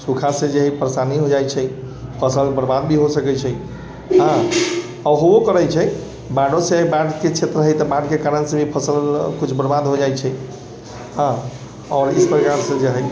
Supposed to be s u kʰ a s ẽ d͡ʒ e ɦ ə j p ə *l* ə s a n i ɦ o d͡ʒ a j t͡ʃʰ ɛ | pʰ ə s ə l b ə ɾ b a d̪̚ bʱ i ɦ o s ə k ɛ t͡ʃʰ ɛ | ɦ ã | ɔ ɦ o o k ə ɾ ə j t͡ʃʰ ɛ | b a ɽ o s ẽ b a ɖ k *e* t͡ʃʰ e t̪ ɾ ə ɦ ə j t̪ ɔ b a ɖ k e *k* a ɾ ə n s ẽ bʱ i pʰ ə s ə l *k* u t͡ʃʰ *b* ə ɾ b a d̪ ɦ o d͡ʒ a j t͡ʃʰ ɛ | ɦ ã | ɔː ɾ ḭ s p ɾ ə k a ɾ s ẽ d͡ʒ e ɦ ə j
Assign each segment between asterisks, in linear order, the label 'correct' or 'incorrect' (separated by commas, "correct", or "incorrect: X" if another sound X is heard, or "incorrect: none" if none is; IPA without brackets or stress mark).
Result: incorrect: ɾ, correct, correct, correct, correct